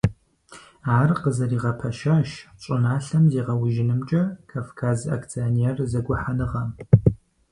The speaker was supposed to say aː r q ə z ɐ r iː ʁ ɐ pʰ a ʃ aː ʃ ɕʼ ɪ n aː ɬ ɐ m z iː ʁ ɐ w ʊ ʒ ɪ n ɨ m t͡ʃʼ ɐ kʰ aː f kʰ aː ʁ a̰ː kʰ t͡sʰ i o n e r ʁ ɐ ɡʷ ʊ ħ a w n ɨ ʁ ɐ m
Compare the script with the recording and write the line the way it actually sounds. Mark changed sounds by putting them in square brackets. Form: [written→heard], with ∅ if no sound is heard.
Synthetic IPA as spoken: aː r q ə z ɐ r iː ʁ ɐ pʰ [a→ɐ] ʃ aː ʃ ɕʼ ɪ n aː ɬ ɐ m z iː ʁ ɐ w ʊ ʒ ɪ n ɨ m t͡ʃʼ ɐ kʰ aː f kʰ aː [ʁ→z] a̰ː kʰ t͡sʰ i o n e r [ʁ→z] ɐ ɡʷ ʊ ħ a [w→∅] n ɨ ʁ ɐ m

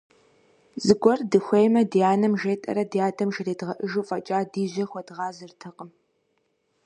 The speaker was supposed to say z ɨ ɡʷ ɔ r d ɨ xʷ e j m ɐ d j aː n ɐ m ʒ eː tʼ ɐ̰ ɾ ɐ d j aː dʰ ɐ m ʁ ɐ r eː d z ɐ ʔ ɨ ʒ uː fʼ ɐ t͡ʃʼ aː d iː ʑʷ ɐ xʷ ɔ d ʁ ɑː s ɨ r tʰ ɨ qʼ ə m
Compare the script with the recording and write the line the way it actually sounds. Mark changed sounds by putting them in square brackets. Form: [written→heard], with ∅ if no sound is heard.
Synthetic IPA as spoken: z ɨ ɡʷ ɔ r d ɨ xʷ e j m ɐ d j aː n ɐ m ʒ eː tʼ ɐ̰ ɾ ɐ d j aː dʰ ɐ m [ʁ→ʒ] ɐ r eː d [z→ʁ] ɐ ʔ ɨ ʒ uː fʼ ɐ t͡ʃʼ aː d iː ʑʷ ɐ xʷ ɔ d ʁ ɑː [s→z] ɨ r tʰ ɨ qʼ ə m

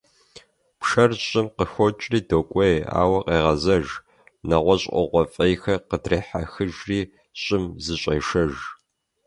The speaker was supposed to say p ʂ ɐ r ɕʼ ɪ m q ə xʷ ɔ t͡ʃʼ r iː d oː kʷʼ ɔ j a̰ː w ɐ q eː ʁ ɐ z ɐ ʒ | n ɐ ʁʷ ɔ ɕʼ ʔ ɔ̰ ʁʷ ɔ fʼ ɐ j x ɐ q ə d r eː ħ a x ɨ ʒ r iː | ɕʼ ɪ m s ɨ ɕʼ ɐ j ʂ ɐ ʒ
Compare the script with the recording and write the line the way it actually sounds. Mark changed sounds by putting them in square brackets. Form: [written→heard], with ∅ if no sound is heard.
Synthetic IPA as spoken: p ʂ ɐ r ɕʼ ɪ m q ə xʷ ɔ t͡ʃʼ r iː d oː kʷʼ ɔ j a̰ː w ɐ q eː ʁ ɐ z ɐ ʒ | n ɐ ʁʷ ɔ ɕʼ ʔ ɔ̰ ʁʷ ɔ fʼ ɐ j x ɐ q ə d r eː ħ a x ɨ ʒ r iː | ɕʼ ɪ m [s→z] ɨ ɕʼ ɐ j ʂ ɐ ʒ

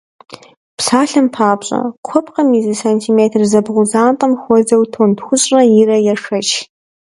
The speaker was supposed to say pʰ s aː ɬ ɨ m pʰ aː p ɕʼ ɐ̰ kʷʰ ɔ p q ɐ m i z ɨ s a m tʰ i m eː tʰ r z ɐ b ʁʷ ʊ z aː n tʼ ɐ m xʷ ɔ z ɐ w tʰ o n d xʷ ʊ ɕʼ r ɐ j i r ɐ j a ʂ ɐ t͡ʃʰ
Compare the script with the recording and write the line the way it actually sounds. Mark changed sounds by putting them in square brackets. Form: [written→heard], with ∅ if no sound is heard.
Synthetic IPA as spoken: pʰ s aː ɬ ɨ m pʰ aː p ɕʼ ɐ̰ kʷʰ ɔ p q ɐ m i z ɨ s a [m→n] tʰ i m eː tʰ r z ɐ b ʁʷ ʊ z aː n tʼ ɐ m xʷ ɔ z ɐ w tʰ o n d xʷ ʊ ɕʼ r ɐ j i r ɐ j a ʂ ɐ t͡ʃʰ

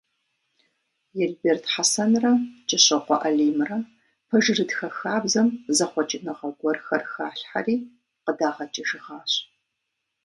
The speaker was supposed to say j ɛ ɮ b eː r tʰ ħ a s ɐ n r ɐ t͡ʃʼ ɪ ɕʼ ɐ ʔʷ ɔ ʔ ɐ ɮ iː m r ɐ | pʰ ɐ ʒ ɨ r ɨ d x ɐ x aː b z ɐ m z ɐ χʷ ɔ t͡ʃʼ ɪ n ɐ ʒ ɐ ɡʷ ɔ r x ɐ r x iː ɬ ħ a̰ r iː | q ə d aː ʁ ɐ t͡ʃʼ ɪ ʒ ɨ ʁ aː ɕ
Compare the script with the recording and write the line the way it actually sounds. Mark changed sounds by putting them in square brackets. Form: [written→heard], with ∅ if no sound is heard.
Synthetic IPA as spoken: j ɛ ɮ b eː r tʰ ħ a s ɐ n r ɐ t͡ʃʼ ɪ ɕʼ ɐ [ʔʷ→qʷ] ɔ ʔ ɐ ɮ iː m r ɐ | pʰ ɐ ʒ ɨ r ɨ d x ɐ x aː b z ɐ m z ɐ χʷ ɔ t͡ʃʼ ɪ n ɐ [ʒ→ʁ] ɐ ɡʷ ɔ r x ɐ r x [iː→aː] ɬ ħ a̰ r iː | q ə d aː ʁ ɐ t͡ʃʼ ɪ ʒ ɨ ʁ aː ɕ

